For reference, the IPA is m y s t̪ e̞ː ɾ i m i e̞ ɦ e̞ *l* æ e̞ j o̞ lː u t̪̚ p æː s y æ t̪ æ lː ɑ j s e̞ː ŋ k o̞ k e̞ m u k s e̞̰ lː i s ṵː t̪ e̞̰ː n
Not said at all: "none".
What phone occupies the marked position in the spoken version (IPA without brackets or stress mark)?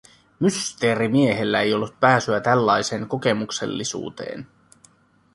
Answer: lː